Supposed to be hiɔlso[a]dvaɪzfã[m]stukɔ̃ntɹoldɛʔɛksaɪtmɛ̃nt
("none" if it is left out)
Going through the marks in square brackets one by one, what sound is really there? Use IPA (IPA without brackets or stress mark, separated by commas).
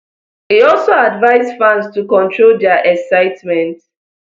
a, n